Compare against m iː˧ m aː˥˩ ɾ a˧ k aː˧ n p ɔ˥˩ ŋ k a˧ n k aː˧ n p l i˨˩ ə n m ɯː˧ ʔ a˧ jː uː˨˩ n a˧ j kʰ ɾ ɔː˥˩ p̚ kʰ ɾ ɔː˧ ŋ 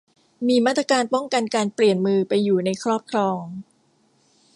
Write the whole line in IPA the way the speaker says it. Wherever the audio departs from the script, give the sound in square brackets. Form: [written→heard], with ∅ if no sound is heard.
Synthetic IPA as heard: m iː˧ m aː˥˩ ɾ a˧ k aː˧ n p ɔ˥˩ ŋ k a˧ n k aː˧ n p l i˨˩ ə n m ɯː˧ [ʔ→p] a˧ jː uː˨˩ n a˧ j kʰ ɾ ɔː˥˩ p̚ kʰ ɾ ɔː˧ ŋ